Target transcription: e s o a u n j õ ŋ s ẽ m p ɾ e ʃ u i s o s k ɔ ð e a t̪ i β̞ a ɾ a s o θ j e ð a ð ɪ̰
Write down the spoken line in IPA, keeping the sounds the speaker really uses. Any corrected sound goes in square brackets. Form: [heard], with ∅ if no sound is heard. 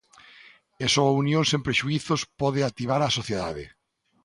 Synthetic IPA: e s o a u n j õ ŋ s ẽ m p ɾ e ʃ u i [θ] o s [p] ɔ ð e a t̪ i β̞ a ɾ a s o θ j e ð a ð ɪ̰